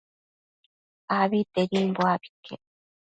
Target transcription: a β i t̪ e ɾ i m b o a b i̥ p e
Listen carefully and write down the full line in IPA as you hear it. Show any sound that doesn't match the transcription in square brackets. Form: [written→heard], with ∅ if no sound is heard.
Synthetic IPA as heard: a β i t̪ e ɾ i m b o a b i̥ [p→k] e